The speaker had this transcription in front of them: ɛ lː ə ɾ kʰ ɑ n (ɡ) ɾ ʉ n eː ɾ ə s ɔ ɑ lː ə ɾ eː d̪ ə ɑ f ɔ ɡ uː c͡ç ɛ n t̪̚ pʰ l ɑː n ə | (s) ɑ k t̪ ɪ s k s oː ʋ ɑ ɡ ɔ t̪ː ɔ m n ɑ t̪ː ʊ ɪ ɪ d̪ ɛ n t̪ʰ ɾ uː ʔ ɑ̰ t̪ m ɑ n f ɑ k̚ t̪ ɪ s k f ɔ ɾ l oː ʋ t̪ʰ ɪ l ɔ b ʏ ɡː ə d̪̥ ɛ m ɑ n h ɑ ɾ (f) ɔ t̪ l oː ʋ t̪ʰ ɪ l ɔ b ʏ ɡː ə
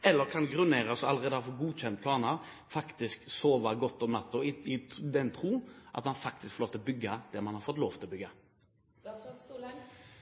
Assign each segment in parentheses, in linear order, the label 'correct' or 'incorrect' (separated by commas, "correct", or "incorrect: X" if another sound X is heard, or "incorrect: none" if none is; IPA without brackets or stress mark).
correct, incorrect: f, correct